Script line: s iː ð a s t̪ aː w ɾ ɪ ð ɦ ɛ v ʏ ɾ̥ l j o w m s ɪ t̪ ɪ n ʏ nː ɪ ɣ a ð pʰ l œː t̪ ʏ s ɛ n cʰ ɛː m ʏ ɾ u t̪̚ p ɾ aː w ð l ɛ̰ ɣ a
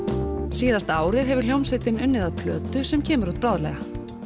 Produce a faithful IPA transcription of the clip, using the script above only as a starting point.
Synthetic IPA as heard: s iː ð a s t̪ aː w ɾ ɪ ð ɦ ɛ v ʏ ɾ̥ l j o w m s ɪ t̪ ɪ n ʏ nː ɪ ð a ð pʰ l œː t̪ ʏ s ɛ m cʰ ɛː m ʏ ɾ u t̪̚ p ɾ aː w ð l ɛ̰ ɣ a